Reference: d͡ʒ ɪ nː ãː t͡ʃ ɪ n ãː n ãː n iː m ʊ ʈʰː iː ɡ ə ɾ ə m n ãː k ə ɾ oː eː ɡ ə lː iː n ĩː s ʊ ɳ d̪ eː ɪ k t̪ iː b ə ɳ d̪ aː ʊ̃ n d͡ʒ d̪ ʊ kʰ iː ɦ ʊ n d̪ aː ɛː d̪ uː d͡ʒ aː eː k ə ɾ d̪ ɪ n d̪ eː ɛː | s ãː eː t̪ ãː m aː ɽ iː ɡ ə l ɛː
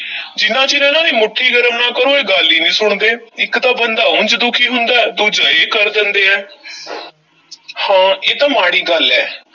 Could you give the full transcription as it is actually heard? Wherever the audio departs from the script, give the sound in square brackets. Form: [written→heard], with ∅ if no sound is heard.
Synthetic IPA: d͡ʒ ɪ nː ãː t͡ʃ ɪ n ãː n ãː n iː m ʊ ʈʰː iː ɡ ə ɾ ə m n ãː k ə ɾ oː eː ɡ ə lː iː n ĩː s ʊ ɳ d̪ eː ɪ k t̪ [iː→aː] b ə [ɳ→n] d̪ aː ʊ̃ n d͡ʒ d̪ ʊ kʰ iː ɦ ʊ n d̪ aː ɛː d̪ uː d͡ʒ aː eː k ə ɾ d̪ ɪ n d̪ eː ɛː | [s→h] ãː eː t̪ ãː m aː ɽ iː ɡ ə l ɛː